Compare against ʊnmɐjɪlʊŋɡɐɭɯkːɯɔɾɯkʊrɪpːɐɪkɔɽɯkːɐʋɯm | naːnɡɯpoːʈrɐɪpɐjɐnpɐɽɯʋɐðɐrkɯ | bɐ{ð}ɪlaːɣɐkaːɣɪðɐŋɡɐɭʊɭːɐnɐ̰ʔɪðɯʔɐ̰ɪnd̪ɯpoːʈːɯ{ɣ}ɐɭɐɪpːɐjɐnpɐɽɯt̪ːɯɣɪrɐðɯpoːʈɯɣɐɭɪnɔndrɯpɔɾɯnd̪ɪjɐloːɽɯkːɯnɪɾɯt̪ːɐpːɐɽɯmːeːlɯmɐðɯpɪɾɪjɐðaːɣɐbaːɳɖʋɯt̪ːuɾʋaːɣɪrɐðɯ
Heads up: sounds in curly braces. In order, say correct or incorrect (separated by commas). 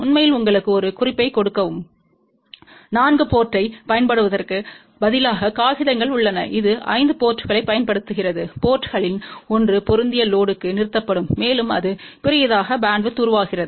correct, correct